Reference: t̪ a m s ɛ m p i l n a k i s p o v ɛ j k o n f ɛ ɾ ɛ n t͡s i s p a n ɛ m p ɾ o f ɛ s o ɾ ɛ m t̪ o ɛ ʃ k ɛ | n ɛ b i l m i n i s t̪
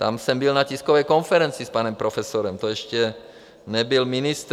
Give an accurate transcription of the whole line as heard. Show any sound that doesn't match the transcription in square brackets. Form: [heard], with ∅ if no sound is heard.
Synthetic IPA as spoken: t̪ a m s ɛ m [b] i l n a [c] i s [k] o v ɛ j k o n f ɛ ɾ ɛ n t͡s i s p a n ɛ m p ɾ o f ɛ s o ɾ ɛ m t̪ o ɛ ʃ [c] ɛ | n ɛ b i l m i n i s t̪